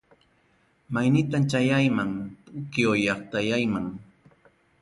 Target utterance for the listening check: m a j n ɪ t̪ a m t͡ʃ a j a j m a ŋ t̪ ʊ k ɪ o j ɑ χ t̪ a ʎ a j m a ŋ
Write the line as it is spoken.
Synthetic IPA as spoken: m a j n ɪ t̪ a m t͡ʃ a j a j m a ŋ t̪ ʊ k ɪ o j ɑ χ t̪ a j a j m a ŋ